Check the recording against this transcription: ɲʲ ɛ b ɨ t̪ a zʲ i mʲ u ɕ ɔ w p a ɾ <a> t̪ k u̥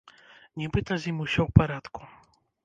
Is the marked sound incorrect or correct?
correct